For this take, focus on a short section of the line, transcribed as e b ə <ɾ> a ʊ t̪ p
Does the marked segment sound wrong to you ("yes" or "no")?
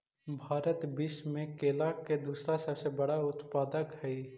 yes